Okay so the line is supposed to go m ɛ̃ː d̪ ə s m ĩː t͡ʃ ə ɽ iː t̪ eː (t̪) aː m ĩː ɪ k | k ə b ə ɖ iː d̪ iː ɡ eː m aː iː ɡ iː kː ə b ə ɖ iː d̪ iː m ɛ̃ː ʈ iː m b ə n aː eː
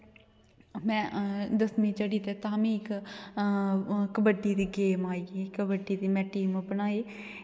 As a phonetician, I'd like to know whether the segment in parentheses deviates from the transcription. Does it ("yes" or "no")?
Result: no